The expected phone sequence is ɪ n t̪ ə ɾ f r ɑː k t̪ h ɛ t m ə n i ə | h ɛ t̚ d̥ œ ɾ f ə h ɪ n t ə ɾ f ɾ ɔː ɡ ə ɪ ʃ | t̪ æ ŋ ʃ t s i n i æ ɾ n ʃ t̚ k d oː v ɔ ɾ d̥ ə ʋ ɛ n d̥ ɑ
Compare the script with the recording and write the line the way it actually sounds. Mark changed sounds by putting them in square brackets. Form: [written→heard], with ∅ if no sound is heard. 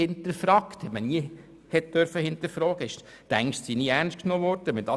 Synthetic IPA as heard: ɪ n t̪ ə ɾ f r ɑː k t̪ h ɛ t m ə n i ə | h ɛ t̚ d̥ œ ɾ f ə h ɪ n t ə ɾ f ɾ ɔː ɡ ə ɪ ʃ | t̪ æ ŋ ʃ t s i n i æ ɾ n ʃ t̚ k [d→n] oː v ɔ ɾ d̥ ə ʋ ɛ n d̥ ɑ